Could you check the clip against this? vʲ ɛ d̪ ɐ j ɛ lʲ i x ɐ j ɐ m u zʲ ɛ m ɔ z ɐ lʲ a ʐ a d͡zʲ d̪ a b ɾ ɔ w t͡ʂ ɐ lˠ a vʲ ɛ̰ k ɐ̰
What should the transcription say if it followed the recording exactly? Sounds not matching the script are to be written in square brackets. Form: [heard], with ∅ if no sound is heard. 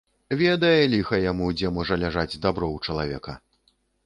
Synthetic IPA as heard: vʲ ɛ d̪ ɐ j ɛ lʲ i x ɐ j [a] m u [d͡zʲ] ɛ m ɔ [ʐ] ɐ lʲ a ʐ a d͡zʲ d̪ a b ɾ ɔ w t͡ʂ ɐ lˠ a vʲ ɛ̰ k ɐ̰